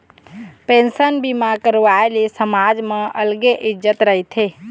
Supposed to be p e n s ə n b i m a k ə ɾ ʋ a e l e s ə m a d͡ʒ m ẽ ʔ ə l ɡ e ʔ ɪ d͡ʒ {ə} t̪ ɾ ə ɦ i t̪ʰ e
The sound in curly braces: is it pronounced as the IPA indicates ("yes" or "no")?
yes